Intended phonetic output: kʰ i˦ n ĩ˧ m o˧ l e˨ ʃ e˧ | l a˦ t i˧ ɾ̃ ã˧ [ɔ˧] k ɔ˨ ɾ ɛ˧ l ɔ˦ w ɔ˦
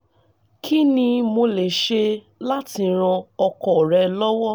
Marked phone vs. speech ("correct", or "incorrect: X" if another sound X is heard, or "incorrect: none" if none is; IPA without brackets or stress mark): correct